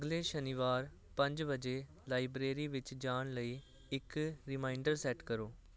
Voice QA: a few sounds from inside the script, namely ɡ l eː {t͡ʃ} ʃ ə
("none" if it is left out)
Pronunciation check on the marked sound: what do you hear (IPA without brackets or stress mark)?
none